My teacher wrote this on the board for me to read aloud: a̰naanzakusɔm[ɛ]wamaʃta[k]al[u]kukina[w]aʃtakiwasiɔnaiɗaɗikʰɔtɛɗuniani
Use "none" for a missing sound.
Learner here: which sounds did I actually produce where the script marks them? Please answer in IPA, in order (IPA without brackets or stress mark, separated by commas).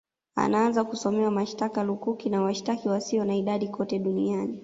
ɛ, k, u, w